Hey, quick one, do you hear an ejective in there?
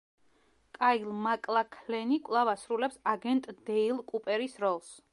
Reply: yes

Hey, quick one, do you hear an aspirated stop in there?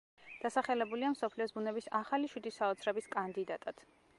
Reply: yes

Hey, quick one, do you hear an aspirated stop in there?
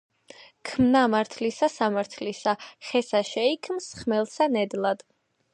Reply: yes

